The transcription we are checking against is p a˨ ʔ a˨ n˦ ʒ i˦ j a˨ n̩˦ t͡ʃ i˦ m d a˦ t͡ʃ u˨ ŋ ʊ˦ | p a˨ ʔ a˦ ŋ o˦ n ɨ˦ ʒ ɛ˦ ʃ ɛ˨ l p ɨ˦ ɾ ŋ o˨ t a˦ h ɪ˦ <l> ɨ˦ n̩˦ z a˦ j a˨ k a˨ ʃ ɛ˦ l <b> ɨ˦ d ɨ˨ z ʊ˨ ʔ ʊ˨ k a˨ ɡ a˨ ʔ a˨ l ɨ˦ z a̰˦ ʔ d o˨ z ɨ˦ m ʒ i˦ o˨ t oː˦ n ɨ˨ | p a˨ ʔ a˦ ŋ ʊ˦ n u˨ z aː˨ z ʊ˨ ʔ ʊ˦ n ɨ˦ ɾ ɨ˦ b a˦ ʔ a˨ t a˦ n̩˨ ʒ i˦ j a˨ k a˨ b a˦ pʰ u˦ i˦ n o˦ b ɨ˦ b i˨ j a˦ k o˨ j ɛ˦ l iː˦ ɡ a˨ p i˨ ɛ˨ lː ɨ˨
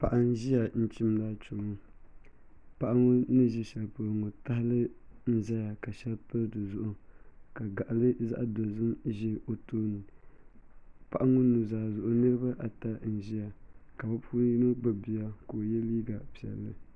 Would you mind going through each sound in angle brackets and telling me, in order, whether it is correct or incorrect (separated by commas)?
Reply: correct, incorrect